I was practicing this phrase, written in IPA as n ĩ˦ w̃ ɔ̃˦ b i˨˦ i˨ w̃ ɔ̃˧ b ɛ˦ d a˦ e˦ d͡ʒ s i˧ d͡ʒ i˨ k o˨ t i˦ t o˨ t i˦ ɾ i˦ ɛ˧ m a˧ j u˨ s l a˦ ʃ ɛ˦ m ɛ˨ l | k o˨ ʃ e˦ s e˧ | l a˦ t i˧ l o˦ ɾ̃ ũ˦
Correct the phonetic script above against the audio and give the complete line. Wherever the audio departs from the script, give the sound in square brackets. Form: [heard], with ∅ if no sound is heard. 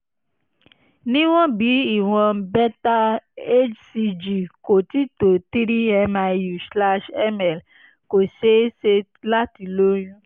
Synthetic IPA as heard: n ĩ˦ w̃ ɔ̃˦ b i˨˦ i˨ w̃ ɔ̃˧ b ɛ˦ [t] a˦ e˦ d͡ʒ s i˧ d͡ʒ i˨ k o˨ t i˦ t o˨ t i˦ ɾ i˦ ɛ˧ m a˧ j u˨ s l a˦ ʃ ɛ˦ m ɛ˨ l | k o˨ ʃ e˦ s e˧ | l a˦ t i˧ l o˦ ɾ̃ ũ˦